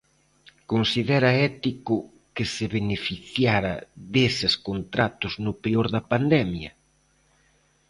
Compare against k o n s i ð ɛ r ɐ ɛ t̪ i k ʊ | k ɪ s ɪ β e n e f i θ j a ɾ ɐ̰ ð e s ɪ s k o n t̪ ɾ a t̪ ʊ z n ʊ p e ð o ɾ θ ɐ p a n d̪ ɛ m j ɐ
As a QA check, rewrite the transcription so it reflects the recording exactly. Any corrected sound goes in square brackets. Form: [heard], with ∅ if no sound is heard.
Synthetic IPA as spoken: k o n s i ð ɛ [ɾ] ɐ ɛ t̪ i k ʊ | k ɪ s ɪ β e n e f i θ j a ɾ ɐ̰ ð e s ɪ s k o n t̪ ɾ a t̪ ʊ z n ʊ p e [∅] o ɾ [ð] ɐ p a n d̪ ɛ m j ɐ